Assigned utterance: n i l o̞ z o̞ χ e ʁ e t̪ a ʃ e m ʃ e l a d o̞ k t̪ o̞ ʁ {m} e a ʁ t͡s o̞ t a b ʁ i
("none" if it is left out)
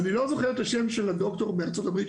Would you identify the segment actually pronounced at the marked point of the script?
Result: b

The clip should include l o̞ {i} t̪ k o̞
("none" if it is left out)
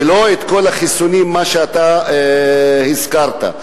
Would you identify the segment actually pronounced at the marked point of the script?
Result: e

